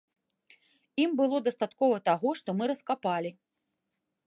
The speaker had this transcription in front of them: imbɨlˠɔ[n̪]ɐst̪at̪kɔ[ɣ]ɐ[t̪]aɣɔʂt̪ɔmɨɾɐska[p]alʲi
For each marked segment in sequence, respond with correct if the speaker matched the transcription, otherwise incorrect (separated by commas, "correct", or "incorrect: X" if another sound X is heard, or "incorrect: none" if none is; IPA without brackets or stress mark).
incorrect: d̪, incorrect: v, correct, correct